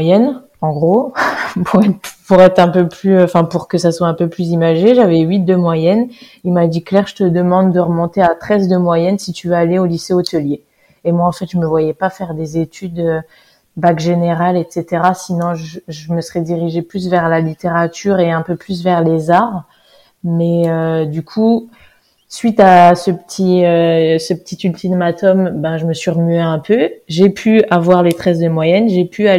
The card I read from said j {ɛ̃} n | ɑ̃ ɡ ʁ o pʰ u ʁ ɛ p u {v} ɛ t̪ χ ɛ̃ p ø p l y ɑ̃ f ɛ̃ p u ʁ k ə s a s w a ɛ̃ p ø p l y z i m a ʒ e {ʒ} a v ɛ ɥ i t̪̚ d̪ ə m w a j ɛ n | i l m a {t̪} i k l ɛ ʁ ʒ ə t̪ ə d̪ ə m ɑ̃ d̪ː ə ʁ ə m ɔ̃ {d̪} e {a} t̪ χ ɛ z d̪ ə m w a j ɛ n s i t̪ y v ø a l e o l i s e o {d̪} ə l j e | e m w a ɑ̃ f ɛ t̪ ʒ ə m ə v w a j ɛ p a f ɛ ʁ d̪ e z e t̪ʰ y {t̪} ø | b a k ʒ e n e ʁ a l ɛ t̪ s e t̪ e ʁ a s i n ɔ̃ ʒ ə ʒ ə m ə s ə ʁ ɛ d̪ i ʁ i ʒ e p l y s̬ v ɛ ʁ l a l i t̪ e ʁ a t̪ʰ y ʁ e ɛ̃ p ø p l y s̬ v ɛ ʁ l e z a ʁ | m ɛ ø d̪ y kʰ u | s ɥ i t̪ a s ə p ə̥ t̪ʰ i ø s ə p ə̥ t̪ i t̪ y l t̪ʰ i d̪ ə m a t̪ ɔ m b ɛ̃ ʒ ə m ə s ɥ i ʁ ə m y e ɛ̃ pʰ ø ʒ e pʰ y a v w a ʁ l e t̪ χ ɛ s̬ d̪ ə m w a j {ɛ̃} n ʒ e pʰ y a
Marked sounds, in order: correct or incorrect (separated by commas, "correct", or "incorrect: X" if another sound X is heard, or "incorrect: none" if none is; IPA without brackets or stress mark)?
incorrect: ɛ, incorrect: ʁ, correct, incorrect: d̪, incorrect: t̪, correct, incorrect: t̪, incorrect: d̪, incorrect: ɛ